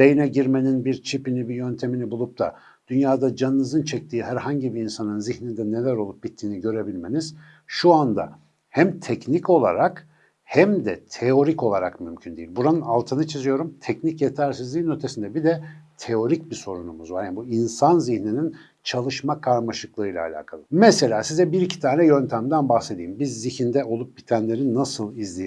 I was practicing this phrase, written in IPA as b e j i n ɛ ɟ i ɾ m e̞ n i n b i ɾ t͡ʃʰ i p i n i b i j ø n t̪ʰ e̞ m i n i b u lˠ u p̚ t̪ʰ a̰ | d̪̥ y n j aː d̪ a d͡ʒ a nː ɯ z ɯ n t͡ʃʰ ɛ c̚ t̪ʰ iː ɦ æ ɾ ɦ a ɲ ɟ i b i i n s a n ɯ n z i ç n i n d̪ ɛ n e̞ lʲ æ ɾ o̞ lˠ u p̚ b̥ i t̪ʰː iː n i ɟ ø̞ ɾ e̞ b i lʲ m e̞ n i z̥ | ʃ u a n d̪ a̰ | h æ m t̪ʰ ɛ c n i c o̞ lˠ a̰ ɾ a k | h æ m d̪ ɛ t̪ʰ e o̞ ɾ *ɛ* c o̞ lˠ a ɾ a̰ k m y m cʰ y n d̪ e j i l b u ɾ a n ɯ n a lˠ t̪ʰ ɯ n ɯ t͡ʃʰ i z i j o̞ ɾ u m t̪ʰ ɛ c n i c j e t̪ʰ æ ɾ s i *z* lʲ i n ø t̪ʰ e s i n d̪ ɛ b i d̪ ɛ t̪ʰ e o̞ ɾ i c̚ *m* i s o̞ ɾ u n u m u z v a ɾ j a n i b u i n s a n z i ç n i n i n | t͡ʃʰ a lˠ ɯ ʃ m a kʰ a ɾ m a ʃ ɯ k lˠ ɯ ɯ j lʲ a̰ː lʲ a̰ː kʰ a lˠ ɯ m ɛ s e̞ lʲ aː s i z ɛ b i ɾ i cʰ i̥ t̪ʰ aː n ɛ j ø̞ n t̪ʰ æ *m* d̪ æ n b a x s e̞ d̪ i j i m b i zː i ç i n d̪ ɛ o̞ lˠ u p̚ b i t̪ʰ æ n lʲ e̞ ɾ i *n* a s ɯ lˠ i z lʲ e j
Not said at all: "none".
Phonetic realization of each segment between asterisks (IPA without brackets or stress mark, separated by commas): i, z, b, m, nː